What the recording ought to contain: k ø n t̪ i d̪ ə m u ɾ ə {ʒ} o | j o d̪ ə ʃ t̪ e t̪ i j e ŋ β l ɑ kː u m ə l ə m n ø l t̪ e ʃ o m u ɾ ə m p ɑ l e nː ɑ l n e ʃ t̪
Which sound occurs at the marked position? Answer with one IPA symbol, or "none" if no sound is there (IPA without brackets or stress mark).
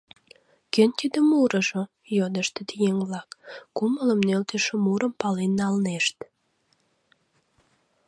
ʒ